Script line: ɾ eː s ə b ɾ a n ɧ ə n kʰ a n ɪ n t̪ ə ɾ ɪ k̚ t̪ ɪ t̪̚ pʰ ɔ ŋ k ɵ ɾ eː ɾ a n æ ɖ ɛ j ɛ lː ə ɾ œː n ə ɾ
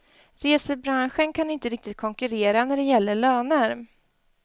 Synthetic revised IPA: ɾ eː s ə b ɾ a n ɧ ə n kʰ a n ɪ n t̪ ə ɾ ɪ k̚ t̪ ɪ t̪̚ kʰ ɔ ŋ k ɵ ɾ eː ɾ a n æ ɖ ɛ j ɛ lː ə ɭ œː n ə ɾ